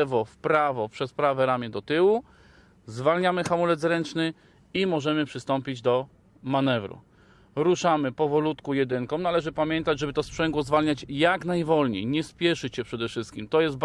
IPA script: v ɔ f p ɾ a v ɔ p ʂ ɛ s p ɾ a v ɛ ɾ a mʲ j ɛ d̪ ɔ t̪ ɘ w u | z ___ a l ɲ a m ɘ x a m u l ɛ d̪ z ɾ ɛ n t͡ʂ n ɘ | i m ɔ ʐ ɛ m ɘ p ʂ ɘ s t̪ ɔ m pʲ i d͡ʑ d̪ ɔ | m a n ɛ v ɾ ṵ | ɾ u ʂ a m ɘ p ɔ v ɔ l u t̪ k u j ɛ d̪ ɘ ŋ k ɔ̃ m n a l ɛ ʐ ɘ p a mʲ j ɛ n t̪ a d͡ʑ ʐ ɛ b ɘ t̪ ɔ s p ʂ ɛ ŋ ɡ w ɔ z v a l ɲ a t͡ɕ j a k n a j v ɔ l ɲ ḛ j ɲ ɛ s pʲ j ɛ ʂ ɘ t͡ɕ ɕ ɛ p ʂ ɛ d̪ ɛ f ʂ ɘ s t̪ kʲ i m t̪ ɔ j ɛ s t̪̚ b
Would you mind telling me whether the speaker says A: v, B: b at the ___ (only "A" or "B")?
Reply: A